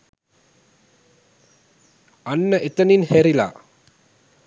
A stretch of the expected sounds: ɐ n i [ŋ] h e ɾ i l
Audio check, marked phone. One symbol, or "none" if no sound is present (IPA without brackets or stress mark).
n